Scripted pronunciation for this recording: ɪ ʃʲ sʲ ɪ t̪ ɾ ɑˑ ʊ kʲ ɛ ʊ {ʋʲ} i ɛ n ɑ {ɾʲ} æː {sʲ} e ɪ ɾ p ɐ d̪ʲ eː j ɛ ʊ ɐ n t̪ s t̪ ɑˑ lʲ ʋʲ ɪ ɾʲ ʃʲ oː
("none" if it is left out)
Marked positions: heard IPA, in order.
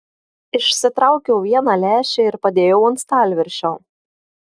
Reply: ʋʲ, lʲ, ʃʲ

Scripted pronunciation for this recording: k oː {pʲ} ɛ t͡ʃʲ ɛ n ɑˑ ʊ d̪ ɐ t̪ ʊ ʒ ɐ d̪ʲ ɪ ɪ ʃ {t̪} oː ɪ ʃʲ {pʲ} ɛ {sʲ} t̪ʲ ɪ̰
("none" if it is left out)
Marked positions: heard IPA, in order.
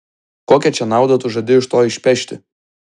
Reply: kʲ, t̪, pʲ, ʃʲ

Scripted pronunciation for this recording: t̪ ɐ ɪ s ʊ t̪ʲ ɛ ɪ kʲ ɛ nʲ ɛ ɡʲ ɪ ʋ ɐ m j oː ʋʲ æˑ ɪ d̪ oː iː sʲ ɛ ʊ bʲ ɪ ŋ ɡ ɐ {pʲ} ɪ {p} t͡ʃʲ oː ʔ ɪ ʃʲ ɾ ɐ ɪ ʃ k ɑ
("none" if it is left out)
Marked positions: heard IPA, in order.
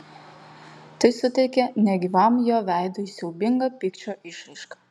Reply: pʲ, k

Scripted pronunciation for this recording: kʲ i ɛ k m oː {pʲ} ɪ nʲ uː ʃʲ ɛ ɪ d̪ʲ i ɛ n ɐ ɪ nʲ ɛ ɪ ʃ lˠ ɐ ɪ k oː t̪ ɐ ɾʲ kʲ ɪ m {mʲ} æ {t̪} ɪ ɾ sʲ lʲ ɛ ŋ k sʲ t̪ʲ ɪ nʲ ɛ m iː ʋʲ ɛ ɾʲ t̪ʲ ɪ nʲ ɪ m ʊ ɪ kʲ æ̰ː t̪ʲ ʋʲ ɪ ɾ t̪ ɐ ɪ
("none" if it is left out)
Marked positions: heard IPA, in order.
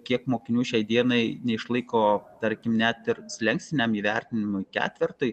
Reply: kʲ, nʲ, t̪

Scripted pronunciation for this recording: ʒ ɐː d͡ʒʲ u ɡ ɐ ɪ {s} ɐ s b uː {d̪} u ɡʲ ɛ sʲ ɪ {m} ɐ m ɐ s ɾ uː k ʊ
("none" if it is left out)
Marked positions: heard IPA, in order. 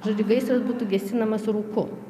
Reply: s, t̪, n

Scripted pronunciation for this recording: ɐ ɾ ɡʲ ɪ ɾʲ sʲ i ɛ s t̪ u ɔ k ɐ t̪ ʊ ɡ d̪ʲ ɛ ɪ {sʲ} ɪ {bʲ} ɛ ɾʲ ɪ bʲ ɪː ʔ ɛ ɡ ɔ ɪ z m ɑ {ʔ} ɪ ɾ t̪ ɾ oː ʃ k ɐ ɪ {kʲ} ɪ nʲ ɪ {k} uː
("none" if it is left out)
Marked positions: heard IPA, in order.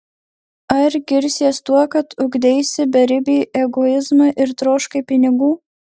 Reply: sʲ, bʲ, ʔ, pʲ, ɡ

